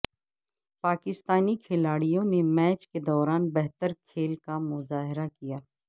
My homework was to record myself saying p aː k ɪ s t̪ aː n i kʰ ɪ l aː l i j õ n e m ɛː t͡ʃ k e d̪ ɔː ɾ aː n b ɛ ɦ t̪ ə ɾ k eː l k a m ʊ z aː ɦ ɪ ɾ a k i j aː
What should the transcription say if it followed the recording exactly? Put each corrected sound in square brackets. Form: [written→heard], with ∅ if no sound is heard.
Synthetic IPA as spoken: p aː k ɪ s t̪ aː n i kʰ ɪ l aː [l→ɽ] i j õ n e m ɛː t͡ʃ k e d̪ ɔː ɾ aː n b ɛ ɦ t̪ ə ɾ [k→kʰ] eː l k a m ʊ z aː ɦ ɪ ɾ a k i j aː